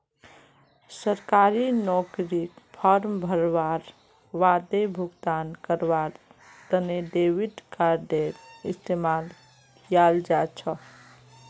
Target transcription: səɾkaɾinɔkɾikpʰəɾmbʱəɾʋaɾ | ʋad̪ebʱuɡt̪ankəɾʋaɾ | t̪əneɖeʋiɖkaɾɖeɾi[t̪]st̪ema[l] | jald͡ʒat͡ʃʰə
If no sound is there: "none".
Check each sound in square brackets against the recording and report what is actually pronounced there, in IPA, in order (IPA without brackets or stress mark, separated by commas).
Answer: none, l